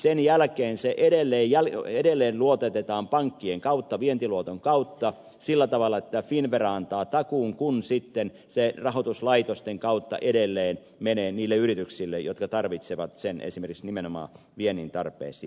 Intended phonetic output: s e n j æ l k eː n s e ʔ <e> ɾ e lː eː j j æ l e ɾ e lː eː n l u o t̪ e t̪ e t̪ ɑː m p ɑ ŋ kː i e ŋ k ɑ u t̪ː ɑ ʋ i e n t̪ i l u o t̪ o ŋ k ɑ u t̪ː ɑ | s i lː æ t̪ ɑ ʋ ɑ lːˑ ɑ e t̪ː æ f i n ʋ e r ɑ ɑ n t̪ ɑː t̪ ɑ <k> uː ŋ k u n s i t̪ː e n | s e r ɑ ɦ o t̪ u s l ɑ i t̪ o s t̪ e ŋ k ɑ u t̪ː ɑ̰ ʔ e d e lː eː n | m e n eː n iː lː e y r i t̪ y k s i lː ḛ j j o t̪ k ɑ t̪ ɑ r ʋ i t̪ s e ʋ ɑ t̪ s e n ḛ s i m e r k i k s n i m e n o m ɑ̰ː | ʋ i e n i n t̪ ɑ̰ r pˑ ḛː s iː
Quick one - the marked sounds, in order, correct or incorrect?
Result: correct, correct

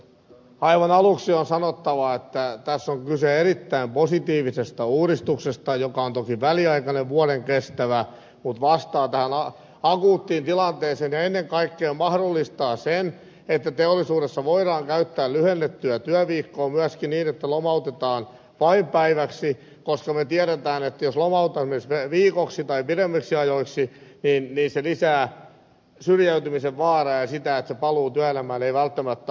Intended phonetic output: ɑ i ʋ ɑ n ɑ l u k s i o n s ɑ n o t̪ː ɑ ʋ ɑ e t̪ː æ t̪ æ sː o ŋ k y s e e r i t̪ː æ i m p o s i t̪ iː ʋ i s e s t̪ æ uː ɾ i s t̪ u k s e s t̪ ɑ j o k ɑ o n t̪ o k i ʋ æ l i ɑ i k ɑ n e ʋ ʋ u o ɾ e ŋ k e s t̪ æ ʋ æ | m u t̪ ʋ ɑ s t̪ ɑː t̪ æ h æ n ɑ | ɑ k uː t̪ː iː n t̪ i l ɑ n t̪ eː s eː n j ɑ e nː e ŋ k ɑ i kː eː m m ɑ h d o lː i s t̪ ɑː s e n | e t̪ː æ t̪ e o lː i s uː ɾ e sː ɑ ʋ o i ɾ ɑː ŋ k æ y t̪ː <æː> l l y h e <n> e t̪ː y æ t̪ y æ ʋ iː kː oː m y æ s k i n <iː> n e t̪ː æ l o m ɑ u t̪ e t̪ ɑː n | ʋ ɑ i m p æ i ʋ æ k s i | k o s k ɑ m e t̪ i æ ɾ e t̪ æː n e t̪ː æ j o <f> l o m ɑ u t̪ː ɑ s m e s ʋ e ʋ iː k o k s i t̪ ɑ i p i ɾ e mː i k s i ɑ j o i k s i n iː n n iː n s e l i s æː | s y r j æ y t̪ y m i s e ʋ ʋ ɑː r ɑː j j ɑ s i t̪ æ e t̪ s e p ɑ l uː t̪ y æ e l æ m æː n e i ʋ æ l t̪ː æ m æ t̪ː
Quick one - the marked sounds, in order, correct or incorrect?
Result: correct, incorrect: nː, correct, incorrect: s

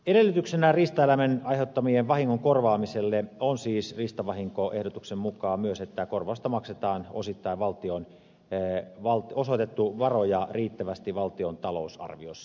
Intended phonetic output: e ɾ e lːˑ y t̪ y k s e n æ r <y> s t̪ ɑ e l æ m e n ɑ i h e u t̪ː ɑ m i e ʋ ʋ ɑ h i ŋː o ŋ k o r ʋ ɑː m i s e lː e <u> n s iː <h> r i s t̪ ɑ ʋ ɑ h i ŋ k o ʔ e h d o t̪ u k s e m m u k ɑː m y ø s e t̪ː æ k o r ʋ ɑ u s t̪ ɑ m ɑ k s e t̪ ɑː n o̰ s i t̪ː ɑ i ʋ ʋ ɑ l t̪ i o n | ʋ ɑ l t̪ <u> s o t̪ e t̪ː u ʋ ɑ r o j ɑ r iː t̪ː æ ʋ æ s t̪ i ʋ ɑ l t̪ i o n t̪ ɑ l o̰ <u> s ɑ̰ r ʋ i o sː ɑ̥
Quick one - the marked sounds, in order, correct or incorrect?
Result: incorrect: i, incorrect: o, incorrect: s, incorrect: o, correct

